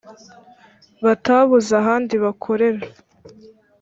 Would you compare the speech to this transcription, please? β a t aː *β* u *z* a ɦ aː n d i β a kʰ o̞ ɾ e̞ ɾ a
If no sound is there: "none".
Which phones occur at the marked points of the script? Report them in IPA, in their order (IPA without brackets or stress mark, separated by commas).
β, z